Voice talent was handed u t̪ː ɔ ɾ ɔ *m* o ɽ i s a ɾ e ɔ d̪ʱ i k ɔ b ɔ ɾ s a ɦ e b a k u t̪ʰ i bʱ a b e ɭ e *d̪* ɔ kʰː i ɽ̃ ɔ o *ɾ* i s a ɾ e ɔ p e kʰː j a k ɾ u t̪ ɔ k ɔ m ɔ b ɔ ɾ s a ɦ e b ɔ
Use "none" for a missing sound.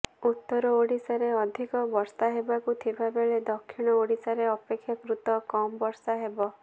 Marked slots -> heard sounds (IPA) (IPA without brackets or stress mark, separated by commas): none, d̪, ɽ